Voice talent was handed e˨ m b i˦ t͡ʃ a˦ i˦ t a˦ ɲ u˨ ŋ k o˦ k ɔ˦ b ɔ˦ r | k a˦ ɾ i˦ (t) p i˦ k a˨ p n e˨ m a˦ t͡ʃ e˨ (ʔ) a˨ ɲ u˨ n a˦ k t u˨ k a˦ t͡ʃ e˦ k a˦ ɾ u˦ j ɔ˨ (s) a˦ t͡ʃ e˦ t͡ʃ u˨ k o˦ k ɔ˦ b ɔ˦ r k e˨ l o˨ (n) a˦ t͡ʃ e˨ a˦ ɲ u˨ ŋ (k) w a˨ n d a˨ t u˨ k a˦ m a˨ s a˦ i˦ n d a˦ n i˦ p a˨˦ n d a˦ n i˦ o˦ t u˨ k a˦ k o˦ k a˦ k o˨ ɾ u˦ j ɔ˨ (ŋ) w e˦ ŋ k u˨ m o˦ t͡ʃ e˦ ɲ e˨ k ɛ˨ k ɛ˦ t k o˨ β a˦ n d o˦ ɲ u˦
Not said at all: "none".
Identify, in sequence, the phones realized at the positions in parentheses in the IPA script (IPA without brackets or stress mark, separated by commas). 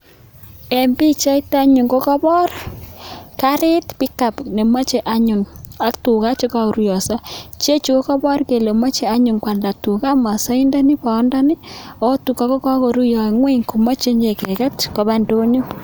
t, ʔ, s, m, k, ŋ